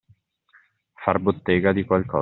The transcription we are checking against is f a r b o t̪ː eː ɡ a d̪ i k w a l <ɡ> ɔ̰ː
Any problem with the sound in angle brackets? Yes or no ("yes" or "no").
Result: yes